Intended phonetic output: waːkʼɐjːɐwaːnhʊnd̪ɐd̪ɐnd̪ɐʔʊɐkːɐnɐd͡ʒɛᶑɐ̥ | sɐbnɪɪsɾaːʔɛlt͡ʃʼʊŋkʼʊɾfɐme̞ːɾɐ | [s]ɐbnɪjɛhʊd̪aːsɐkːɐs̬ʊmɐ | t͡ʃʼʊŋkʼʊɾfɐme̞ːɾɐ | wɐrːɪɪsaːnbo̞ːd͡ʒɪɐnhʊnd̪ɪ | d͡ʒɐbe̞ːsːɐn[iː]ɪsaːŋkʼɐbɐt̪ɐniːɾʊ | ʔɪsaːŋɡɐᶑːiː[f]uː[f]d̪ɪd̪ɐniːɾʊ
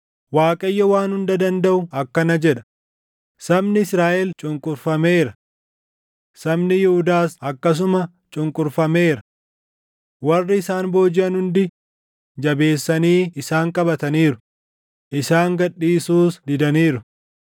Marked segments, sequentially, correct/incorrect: correct, correct, incorrect, incorrect

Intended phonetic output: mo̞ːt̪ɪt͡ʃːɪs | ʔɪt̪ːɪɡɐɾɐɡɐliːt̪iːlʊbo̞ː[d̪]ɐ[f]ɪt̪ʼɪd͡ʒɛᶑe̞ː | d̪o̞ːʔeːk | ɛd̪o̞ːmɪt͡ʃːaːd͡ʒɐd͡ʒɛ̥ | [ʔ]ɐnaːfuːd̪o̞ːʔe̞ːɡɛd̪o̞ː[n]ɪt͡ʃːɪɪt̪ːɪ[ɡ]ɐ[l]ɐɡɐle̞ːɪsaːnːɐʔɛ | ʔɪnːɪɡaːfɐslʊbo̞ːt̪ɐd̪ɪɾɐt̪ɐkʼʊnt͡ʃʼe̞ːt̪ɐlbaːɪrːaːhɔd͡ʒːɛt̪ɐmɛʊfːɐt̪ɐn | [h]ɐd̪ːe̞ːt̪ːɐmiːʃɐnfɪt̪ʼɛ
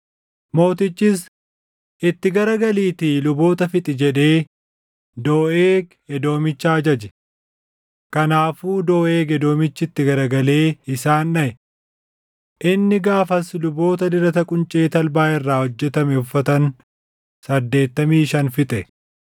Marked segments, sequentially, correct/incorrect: incorrect, correct, incorrect, incorrect, correct, incorrect, incorrect

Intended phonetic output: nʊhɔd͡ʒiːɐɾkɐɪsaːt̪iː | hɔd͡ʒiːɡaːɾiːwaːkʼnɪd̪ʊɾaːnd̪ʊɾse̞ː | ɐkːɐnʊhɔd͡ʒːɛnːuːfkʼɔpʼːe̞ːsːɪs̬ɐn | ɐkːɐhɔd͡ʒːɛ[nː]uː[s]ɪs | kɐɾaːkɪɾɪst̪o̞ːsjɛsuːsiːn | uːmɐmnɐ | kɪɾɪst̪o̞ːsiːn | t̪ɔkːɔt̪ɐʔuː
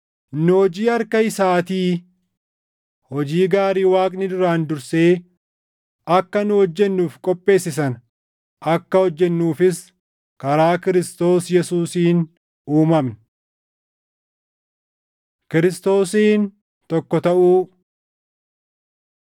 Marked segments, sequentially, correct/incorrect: correct, incorrect

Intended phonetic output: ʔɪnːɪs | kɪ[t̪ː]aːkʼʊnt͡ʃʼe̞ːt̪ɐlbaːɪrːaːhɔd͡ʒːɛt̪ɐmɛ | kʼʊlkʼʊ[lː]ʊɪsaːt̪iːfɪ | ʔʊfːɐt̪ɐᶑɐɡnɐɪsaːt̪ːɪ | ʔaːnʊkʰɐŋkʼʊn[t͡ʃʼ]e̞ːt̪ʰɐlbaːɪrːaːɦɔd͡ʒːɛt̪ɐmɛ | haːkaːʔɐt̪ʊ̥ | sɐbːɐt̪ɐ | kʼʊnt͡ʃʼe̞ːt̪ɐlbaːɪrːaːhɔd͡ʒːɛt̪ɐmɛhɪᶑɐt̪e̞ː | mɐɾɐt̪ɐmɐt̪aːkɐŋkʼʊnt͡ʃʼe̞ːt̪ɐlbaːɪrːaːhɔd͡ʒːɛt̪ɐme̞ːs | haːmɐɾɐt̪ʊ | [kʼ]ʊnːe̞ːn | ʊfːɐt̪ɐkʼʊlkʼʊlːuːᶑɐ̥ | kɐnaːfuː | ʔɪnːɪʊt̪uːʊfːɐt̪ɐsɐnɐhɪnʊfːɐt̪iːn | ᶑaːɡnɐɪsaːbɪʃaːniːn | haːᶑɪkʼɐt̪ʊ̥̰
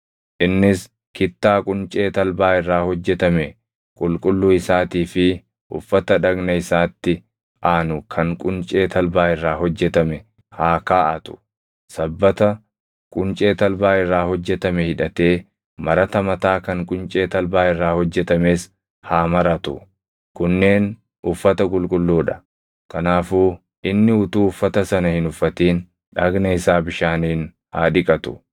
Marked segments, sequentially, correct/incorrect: correct, correct, correct, incorrect

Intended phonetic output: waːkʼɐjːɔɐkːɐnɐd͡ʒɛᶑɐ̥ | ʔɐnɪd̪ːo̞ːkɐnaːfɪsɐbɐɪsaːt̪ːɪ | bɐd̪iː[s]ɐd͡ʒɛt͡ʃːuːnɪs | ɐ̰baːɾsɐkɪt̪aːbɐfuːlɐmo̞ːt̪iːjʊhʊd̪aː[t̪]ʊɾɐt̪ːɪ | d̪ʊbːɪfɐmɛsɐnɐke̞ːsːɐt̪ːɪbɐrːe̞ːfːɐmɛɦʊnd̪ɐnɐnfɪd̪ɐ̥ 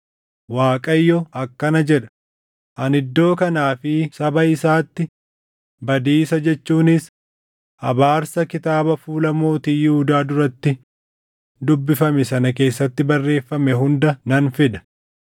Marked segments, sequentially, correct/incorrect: correct, incorrect

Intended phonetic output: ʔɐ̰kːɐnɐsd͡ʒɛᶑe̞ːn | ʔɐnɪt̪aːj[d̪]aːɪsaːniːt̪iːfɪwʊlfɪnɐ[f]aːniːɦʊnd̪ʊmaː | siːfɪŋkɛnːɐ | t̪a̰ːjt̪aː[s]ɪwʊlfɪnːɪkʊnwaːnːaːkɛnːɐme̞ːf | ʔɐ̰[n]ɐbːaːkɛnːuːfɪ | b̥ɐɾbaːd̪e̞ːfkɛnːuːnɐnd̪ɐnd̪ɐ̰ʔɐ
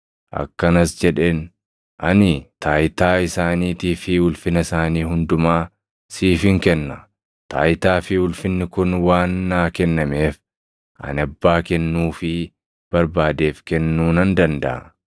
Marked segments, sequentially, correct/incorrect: incorrect, incorrect, incorrect, correct

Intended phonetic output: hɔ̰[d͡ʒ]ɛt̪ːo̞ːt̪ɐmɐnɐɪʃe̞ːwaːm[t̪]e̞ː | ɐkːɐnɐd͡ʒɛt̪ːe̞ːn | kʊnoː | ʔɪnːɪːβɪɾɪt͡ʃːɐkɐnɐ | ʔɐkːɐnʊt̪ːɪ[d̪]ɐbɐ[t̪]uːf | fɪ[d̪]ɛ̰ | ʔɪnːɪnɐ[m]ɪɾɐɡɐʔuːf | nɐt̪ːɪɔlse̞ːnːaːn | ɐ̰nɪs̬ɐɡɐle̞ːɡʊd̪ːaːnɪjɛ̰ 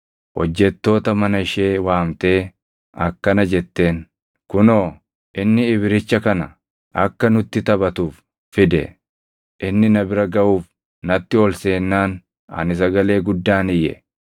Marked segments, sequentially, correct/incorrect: incorrect, correct, incorrect, correct, correct, incorrect

